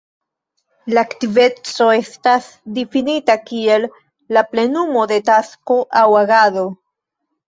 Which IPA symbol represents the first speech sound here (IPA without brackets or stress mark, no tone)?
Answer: l